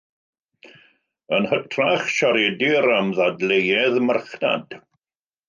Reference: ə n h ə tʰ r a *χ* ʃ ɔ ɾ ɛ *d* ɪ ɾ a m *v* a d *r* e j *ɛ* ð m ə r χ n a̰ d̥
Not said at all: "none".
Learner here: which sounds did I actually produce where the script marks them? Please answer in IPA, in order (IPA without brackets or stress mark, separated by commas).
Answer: χ, d, ð, l, ɛ